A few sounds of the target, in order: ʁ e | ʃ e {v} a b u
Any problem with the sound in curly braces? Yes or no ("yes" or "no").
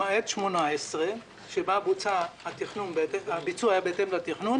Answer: yes